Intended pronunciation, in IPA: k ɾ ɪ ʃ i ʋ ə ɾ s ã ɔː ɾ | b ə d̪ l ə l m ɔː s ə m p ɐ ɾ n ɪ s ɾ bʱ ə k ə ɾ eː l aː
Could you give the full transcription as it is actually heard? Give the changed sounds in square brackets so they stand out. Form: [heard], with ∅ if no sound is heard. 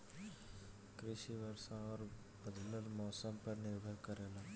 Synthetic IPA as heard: k ɾ ɪ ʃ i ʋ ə ɾ s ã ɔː ɾ | b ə d̪ l ə l m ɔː s ə m p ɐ ɾ n ɪ [∅] ɾ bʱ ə k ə ɾ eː l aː